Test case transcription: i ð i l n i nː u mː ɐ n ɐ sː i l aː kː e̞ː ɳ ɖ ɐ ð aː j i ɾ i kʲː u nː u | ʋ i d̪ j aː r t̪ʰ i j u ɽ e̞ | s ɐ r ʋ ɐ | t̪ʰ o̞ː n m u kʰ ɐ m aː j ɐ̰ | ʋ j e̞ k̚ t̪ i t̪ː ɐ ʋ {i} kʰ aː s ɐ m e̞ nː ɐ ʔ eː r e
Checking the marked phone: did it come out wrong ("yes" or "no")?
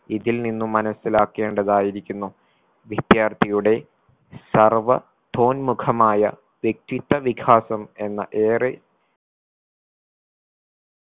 no